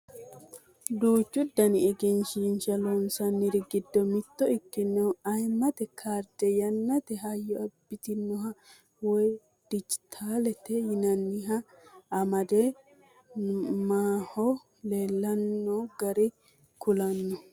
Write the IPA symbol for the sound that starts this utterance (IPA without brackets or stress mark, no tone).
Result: d̪